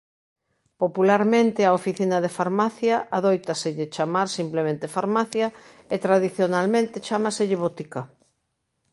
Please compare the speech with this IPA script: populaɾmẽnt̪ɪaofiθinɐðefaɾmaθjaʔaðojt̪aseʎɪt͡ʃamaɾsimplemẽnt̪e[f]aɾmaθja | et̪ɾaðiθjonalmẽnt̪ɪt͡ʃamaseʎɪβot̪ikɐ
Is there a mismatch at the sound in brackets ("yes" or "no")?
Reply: no